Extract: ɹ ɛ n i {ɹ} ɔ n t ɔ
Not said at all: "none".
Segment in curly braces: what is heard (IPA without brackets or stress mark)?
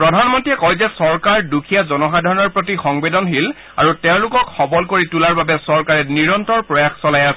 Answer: ɹ